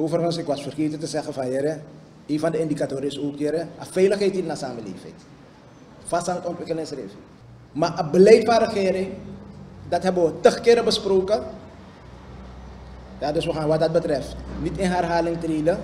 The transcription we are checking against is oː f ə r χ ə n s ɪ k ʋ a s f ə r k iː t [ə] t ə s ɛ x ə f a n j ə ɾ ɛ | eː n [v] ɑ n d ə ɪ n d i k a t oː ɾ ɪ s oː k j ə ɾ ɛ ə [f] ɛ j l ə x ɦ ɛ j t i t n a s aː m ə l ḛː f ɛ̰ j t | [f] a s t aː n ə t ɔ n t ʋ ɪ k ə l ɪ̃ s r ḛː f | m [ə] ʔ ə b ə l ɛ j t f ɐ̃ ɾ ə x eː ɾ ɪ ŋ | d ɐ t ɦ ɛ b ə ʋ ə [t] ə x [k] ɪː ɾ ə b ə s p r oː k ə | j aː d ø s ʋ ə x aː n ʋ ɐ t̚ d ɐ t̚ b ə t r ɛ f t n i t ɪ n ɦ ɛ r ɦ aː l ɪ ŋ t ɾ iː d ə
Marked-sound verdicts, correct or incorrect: correct, incorrect: f, correct, correct, incorrect: a, correct, correct

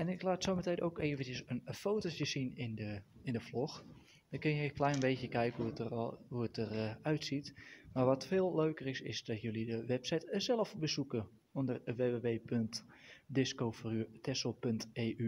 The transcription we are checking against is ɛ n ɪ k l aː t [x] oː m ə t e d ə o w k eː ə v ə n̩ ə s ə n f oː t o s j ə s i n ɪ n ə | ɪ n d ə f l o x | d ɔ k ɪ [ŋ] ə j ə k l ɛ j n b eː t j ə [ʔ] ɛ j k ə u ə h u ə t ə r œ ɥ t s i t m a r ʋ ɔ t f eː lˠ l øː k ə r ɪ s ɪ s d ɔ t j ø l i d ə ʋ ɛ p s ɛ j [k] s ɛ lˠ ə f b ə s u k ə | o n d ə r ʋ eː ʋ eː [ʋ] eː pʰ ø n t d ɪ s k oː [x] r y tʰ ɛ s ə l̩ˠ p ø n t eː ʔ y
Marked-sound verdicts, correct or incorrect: incorrect: s, incorrect: n, incorrect: k, incorrect: t, correct, incorrect: f

